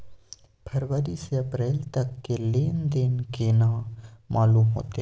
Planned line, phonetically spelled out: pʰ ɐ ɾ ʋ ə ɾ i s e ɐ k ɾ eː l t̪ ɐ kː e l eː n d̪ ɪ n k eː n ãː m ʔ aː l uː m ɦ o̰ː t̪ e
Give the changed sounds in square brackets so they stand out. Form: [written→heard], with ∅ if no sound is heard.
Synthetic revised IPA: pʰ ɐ ɾ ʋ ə ɾ i s e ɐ [k→p] ɾ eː l t̪ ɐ kː e l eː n d̪ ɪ n k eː n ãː m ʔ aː l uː m ɦ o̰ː t̪ e